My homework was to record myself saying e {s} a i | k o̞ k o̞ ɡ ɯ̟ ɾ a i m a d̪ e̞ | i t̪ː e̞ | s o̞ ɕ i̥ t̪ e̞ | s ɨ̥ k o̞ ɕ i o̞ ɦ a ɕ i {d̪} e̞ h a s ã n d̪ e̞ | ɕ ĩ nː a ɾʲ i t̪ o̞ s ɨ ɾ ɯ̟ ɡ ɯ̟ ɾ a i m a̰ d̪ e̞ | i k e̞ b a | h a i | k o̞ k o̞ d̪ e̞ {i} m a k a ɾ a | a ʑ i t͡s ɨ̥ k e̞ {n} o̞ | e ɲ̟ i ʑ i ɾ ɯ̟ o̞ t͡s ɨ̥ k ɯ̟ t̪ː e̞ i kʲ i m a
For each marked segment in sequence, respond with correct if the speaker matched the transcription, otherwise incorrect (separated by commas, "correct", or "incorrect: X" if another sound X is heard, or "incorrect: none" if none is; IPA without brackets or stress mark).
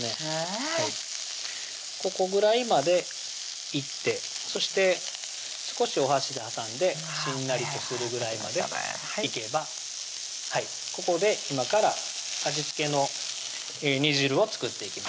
incorrect: h, correct, correct, correct